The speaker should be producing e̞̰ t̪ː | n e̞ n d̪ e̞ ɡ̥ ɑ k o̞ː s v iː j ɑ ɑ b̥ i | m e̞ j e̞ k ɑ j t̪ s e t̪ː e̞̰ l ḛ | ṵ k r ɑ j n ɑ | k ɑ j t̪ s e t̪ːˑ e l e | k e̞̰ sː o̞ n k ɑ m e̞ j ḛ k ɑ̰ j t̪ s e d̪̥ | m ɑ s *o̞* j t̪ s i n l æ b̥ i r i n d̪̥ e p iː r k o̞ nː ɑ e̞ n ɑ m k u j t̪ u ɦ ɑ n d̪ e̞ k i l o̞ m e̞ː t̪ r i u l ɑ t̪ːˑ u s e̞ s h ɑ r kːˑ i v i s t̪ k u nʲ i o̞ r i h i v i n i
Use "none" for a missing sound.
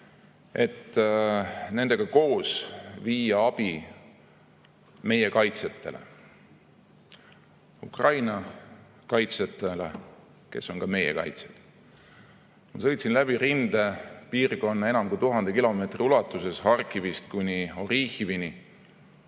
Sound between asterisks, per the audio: ɤ̞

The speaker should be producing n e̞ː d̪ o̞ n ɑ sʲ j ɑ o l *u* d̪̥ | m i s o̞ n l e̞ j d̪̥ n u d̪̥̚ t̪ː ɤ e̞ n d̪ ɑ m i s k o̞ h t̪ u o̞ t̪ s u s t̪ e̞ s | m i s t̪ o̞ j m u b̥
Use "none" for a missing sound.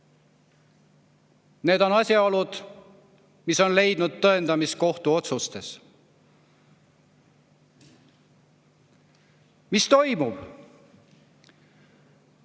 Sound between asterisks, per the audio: u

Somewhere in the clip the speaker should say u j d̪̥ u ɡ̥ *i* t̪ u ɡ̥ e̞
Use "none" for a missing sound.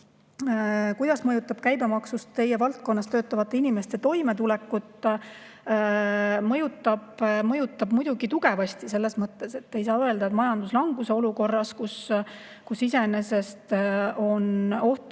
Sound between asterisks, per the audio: i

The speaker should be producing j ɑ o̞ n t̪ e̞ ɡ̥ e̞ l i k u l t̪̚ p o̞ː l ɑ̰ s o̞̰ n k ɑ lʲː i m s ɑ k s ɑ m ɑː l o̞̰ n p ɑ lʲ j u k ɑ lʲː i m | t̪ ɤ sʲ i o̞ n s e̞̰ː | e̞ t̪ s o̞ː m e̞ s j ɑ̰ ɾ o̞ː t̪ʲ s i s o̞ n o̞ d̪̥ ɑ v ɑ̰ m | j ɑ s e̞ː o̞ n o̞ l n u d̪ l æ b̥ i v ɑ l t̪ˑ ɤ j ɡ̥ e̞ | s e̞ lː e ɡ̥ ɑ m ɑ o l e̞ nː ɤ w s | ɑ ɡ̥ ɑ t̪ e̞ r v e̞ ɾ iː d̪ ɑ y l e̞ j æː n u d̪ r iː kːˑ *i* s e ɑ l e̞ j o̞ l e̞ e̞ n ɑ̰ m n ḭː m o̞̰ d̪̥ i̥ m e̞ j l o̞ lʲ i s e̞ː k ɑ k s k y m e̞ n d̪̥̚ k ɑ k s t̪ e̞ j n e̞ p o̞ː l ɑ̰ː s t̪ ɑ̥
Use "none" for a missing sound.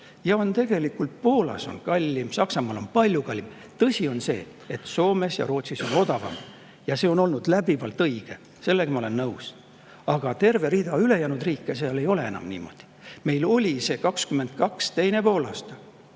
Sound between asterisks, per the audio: e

